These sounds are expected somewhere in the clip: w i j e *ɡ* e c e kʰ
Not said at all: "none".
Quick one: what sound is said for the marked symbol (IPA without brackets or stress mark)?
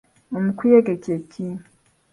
ɡ